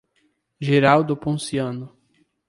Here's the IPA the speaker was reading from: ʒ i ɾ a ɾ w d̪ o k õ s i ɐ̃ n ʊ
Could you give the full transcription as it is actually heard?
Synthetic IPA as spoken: ʒ e ɾ a w d̪ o p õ s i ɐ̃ n ʊ